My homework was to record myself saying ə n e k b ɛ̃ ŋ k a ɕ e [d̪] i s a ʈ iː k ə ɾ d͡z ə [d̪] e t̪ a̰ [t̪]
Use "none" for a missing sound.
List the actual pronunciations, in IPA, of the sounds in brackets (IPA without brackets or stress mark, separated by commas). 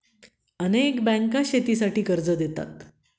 t̪, d̪, t̪